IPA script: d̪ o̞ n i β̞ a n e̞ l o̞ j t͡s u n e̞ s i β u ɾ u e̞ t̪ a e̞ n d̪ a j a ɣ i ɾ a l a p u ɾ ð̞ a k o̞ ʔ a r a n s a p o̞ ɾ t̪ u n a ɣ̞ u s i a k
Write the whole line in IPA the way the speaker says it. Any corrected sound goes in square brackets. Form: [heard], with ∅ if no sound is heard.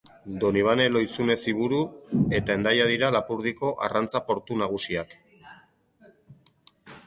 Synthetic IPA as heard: d̪ o̞ n i β̞ a n e̞ l o̞ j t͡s u n e̞ s i β u ɾ u e̞ t̪ a e̞ n d̪ a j a [ð] i ɾ a l a p u ɾ ð̞ [i] k o̞ ʔ a r a n [t͡s] a p o̞ ɾ t̪ u n a ɣ̞ u s i a k